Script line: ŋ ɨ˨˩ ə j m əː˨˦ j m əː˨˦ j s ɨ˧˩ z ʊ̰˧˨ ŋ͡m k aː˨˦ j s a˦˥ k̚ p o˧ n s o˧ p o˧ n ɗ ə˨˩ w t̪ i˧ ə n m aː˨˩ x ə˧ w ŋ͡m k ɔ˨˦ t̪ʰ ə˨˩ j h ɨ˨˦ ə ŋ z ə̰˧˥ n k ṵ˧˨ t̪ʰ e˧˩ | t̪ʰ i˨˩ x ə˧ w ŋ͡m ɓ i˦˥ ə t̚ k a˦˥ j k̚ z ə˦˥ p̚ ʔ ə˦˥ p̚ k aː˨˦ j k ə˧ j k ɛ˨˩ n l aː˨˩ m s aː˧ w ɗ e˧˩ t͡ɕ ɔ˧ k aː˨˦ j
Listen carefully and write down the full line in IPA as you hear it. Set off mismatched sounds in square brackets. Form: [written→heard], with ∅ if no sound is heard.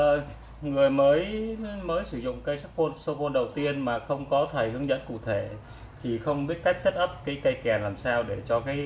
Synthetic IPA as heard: ŋ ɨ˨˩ ə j m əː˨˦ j m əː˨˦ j s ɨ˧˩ z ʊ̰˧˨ ŋ͡m k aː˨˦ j s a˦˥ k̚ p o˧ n s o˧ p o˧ n ɗ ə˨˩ w t̪ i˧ ə n m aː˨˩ x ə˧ w ŋ͡m k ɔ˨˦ t̪ʰ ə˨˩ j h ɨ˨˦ ə ŋ z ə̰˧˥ n k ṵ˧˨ t̪ʰ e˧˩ | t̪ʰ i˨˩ x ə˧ w ŋ͡m ɓ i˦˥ ə t̚ k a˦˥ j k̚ [z→s] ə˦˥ [p̚→t̚] ʔ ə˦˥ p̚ k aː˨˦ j k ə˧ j k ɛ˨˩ n l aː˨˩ m s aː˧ w ɗ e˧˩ t͡ɕ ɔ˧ k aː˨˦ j